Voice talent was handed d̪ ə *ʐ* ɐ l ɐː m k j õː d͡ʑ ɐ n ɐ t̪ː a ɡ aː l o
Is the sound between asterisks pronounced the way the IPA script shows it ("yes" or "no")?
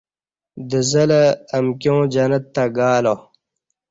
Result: no